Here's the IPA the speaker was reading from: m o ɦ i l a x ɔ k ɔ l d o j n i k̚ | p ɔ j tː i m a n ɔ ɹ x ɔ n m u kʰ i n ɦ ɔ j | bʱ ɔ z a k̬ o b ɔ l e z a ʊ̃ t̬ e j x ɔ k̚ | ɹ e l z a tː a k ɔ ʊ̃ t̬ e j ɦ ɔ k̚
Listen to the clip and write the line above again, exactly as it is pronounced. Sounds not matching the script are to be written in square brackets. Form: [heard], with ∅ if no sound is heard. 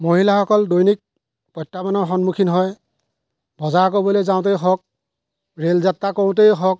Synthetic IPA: m o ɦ i l a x ɔ k ɔ l d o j n i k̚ | p ɔ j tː [a] m a n ɔ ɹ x ɔ n m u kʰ i n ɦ ɔ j | bʱ ɔ z a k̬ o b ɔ l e z a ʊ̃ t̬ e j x ɔ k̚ | ɹ e l z a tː a k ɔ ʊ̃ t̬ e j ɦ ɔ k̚